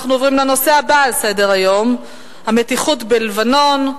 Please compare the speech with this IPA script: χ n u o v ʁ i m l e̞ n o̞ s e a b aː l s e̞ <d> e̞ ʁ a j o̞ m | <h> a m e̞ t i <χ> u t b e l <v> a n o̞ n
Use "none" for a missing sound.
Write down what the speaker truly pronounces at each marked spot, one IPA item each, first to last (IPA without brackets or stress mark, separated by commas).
d, h, χ, v